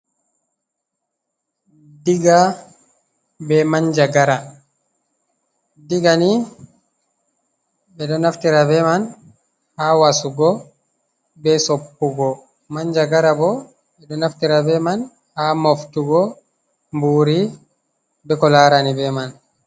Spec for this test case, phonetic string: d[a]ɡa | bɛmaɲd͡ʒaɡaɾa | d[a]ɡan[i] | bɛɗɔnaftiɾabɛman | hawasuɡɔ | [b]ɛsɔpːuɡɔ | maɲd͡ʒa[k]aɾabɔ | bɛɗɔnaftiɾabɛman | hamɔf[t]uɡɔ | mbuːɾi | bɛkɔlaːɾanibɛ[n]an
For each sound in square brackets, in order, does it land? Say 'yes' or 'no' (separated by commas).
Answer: no, no, yes, yes, no, yes, no